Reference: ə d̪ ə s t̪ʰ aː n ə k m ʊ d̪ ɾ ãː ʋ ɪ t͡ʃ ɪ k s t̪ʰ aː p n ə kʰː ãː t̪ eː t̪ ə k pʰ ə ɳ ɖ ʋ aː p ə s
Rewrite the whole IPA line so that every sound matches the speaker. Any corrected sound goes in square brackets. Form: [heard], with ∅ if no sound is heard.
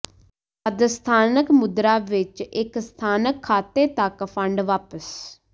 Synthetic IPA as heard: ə d̪ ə s t̪ʰ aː n ə k m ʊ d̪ ɾ [aː] ʋ ɪ t͡ʃ ɪ k s t̪ʰ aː [∅] n ə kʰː [aː] t̪ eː t̪ ə k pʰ ə ɳ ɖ ʋ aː p ə s